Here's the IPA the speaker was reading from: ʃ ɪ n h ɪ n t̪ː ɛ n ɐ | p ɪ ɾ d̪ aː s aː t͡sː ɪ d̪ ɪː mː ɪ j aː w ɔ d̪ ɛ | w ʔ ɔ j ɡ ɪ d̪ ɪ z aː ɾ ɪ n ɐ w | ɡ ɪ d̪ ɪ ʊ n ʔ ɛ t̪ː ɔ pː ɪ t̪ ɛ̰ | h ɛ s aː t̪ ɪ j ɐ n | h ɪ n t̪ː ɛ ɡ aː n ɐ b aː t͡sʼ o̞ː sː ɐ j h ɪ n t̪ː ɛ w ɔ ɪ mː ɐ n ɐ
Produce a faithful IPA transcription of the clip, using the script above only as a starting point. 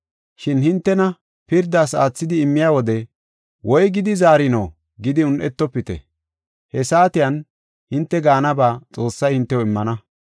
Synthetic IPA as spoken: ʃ ɪ n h ɪ n t̪ː ɛ n ɐ | p ɪ ɾ d̪ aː s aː t͡sː ɪ d̪ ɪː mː ɪ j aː w ɔ d̪ ɛ | w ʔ ɔ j ɡ ɪ d̪ ɪ z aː ɾ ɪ n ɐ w | ɡ ɪ d̪ ɪ ʊ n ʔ ɛ t̪ː ɔ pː ɪ t̪ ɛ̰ | h ɛ s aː t̪ ɪ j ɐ n | h ɪ n t̪ː ɛ ɡ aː n ɐ b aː t͡sʼ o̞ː sː ɐ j h ɪ n t̪ː ɛ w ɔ ɪ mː ɐ n ɐ